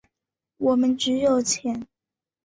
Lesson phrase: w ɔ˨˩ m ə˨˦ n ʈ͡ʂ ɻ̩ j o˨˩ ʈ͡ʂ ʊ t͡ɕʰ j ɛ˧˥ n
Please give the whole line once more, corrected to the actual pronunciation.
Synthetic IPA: w ɔ˨˩ m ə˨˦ n ʈ͡ʂ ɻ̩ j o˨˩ ʊ t͡ɕʰ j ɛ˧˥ n